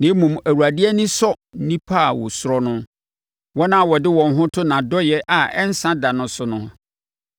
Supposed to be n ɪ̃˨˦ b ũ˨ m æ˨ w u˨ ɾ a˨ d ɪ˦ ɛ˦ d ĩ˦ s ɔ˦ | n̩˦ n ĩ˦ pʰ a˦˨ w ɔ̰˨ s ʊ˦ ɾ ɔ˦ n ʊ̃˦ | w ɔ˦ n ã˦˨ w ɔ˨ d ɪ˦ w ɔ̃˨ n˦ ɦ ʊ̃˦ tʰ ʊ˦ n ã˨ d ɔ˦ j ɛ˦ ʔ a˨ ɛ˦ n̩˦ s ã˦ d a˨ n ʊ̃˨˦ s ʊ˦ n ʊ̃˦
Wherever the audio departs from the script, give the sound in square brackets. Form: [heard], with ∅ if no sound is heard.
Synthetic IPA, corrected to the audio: n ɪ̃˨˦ [m] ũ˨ m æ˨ w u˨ ɾ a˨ d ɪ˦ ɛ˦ [n] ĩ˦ s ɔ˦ | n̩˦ n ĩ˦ pʰ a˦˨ w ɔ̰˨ s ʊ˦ ɾ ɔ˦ n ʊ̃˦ | w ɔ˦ n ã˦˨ w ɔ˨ d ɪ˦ w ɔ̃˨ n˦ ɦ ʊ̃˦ tʰ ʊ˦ n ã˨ d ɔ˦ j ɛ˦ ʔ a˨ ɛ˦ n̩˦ s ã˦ d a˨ n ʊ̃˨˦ s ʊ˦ n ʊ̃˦